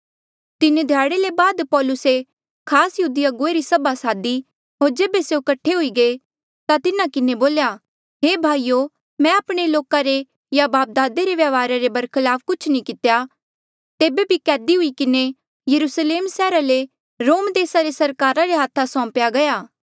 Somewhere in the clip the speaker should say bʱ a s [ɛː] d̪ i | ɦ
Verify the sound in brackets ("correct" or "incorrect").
incorrect